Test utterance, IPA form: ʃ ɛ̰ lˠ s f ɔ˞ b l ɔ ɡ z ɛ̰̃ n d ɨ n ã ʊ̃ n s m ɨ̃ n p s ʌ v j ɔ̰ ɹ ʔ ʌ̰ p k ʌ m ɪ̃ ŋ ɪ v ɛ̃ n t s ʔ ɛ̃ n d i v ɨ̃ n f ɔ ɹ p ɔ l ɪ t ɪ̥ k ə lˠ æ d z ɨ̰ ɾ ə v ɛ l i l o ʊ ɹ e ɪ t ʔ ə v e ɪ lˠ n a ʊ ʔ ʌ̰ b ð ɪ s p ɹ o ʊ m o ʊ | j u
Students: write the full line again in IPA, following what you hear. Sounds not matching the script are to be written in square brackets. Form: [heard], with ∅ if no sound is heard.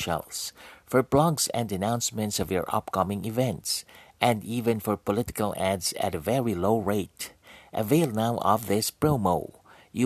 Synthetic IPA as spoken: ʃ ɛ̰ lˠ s f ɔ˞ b l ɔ ɡ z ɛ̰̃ n d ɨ n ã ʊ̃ n s m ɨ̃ n [t] s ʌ v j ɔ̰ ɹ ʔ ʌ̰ p k ʌ m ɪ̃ ŋ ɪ v ɛ̃ n t s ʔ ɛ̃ n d i v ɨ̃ n f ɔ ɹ p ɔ l ɪ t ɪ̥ k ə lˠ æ d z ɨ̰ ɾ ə v ɛ [ɹ] i l o ʊ ɹ e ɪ t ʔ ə v e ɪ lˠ n a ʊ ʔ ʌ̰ [v] ð ɪ s p ɹ o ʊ m o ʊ | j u